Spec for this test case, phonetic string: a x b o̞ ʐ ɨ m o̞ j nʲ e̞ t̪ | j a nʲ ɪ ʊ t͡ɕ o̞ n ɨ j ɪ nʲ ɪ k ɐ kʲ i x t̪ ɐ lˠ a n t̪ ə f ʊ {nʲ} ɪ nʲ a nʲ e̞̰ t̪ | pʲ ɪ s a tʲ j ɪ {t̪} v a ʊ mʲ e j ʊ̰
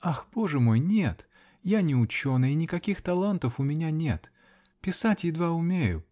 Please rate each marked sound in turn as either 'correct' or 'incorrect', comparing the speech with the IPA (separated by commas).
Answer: incorrect, incorrect